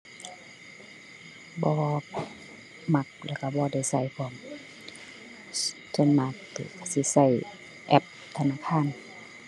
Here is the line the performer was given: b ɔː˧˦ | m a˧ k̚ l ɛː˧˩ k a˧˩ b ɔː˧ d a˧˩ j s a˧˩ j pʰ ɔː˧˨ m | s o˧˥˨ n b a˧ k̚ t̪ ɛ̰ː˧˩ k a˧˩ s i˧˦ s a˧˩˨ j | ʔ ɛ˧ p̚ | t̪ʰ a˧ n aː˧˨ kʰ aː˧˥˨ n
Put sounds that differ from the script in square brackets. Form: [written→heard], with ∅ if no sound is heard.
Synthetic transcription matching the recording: b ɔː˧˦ | m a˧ k̚ l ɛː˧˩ k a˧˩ b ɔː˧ d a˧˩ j s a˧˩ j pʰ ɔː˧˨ m | s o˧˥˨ n [b→m] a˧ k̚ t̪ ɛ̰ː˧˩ k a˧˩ s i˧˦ s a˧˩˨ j | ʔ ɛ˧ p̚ | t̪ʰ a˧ n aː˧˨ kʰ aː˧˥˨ n